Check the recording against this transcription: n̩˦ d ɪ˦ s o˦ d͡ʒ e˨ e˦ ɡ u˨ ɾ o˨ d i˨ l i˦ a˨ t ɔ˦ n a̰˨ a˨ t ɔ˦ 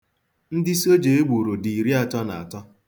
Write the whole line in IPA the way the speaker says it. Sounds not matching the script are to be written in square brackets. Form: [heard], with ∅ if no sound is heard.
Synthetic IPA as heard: n̩˦ d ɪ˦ s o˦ d͡ʒ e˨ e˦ [ɡ͡b] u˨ ɾ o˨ d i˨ [ɾ] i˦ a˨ t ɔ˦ n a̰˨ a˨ t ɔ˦